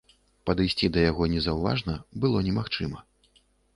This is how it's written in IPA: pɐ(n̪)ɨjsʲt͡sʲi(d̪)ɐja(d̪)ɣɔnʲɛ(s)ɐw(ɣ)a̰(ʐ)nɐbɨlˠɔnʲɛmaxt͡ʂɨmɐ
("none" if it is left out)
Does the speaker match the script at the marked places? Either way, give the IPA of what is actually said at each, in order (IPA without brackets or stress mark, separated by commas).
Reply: d̪, d̪, none, z, v, ʐ